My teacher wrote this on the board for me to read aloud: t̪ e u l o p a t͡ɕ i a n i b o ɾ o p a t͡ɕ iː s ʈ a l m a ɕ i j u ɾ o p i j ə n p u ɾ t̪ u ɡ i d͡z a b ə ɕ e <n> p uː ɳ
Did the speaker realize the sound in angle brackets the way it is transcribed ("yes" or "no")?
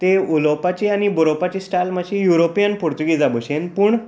yes